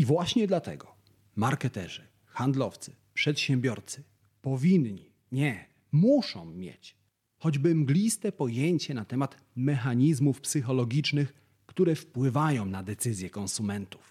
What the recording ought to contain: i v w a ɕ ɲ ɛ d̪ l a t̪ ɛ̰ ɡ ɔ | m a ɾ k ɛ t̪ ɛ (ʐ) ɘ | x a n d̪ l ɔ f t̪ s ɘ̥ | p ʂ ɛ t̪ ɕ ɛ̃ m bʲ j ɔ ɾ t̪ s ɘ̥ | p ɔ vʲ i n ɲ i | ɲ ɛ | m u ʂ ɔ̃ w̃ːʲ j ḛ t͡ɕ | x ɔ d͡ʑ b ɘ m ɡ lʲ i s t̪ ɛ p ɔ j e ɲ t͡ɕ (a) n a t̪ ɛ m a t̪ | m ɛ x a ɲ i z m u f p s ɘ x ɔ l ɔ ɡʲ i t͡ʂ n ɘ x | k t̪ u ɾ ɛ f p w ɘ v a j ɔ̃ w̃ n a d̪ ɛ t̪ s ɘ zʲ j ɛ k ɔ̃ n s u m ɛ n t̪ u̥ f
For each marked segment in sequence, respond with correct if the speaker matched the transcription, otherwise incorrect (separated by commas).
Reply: correct, incorrect